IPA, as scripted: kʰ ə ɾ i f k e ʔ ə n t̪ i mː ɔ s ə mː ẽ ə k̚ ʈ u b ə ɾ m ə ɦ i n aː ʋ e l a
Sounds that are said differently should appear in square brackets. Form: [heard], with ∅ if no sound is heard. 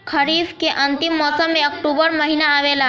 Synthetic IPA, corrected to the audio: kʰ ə ɾ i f k e ʔ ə n t̪ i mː ɔ s ə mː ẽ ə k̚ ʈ u b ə ɾ m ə ɦ i n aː ʋ e l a